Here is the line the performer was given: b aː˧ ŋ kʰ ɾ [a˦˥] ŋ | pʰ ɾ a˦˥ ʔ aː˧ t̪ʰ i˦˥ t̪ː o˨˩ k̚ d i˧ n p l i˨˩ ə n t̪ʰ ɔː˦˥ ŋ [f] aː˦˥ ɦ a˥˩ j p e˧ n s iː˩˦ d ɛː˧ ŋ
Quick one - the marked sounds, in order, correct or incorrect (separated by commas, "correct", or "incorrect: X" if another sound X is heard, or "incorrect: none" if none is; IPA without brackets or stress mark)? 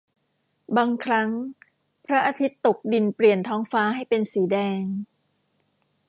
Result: correct, correct